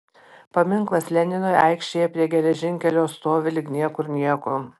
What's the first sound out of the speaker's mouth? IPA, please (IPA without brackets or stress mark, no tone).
p